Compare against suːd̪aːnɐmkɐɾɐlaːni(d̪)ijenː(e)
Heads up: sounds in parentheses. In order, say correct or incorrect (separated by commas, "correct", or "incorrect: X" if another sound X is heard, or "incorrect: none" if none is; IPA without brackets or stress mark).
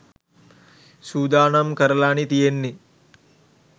incorrect: t̪, incorrect: i